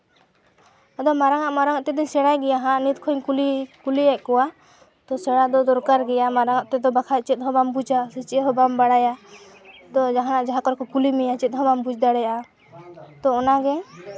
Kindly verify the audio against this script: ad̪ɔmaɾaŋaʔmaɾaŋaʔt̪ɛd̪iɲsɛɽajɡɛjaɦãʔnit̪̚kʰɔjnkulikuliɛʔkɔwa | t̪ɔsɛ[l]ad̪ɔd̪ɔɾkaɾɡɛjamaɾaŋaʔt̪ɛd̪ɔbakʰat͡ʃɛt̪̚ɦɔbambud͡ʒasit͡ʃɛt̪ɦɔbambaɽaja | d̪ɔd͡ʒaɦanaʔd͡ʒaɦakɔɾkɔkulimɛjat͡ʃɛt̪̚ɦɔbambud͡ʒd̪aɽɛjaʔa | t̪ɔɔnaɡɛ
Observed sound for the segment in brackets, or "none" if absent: ɽ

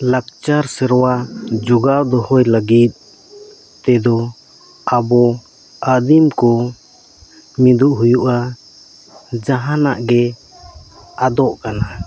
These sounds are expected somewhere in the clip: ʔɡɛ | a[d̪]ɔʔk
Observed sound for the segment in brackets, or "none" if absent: d̪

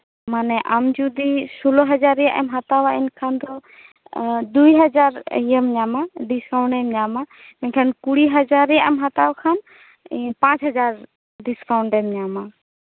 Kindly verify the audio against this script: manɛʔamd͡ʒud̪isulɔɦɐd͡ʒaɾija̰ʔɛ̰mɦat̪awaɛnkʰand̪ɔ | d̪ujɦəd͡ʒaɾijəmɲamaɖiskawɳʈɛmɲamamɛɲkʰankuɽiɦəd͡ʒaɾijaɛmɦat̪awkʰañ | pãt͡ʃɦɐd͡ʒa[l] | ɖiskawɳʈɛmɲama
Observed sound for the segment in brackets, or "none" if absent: ɾ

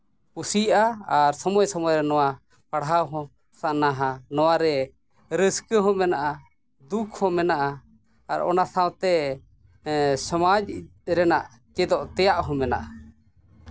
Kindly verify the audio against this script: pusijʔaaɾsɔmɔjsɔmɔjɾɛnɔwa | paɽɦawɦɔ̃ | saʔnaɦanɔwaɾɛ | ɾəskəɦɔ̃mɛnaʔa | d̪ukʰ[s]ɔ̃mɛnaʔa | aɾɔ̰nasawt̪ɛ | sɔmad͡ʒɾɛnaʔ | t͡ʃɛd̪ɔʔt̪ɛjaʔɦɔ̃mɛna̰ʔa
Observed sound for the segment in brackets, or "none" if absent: h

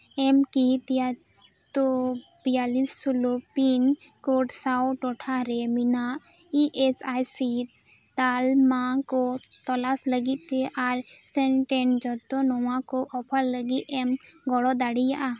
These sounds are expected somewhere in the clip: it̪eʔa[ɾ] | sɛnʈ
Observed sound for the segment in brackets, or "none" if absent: ɾ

